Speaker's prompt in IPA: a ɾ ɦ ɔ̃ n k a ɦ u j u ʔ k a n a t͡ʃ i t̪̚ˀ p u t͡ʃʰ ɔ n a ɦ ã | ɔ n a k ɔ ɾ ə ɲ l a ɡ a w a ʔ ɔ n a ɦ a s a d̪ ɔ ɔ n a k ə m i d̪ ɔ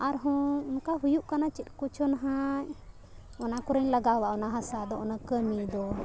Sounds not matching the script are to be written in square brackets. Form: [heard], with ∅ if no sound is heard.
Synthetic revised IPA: a ɾ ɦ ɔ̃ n k a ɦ u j u ʔ k a n a t͡ʃ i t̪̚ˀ [k] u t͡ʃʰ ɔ n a ɦ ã | ɔ n a k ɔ ɾ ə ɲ l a ɡ a w a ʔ ɔ n a ɦ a s a d̪ ɔ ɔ n a k ə m i d̪ ɔ